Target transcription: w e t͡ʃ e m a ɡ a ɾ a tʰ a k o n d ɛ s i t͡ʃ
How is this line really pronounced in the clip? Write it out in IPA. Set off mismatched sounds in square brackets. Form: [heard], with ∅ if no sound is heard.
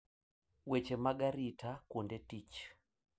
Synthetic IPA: w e t͡ʃ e m a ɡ a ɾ [i] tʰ a k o n d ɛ [t] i t͡ʃ

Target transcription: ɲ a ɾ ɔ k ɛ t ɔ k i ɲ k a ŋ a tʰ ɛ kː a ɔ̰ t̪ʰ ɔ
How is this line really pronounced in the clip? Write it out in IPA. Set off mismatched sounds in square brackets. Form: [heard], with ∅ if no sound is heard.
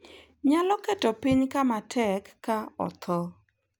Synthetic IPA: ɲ a [l] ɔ k ɛ t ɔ [p] i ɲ k a [m] a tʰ ɛ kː a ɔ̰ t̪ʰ ɔ

